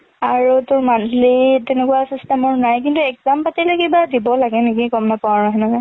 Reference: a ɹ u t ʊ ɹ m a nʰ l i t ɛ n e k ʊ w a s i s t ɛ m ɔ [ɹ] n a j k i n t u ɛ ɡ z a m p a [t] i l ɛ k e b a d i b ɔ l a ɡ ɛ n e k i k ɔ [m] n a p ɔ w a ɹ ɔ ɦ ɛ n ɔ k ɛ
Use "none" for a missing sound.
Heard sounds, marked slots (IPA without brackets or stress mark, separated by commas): ɹ, t, m